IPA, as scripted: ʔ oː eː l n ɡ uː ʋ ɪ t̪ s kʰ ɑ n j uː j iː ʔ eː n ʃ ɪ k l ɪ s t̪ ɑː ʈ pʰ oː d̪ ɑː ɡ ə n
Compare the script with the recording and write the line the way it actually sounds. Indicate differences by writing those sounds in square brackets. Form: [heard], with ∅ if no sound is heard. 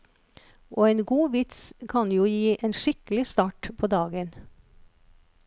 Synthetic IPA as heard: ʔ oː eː [∅] n ɡ uː ʋ ɪ t̪ s kʰ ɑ n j uː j iː ʔ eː n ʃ ɪ k l ɪ s t̪ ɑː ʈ pʰ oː d̪ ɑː ɡ ə n